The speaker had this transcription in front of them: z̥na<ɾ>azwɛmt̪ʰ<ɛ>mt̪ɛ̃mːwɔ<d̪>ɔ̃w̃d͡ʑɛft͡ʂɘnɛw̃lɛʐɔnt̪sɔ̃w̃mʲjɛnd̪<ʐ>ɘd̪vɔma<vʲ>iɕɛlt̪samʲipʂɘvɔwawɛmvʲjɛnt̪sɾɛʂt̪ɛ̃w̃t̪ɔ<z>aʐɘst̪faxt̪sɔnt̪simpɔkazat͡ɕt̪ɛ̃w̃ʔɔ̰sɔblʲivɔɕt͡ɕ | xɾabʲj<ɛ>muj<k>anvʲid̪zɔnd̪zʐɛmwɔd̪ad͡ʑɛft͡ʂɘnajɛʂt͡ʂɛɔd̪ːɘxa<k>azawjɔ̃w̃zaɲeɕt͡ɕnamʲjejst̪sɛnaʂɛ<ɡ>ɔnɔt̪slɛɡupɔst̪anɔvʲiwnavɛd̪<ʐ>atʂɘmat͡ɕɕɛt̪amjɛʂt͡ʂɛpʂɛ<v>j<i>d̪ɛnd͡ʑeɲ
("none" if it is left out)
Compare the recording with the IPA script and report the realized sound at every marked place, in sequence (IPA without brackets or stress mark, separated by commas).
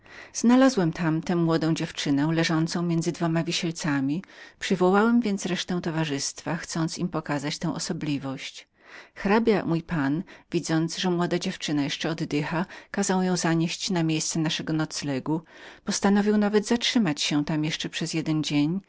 l, a, d̪, z, vʲ, v, a, p, k, ɡ, z, z, ɛ